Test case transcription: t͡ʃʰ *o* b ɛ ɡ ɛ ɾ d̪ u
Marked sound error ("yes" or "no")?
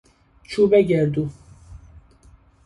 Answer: yes